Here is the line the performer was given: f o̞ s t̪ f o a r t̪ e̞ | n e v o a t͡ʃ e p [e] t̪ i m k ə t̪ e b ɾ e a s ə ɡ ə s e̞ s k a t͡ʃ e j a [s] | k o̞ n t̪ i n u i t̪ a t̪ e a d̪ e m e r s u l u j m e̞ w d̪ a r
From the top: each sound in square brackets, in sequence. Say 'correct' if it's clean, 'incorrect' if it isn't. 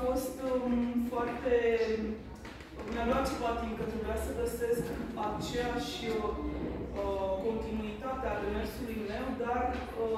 incorrect: a, incorrect: ʃ

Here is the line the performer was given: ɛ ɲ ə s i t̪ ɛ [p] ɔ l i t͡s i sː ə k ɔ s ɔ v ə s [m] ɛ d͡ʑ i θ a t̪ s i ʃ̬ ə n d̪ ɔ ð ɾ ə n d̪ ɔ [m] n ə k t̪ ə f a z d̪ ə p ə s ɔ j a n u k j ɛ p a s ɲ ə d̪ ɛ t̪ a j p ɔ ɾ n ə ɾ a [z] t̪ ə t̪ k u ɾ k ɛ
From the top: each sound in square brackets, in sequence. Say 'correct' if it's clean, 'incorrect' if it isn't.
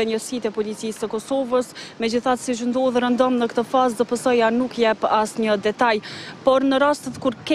correct, correct, correct, incorrect: s

